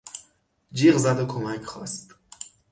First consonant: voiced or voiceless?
voiced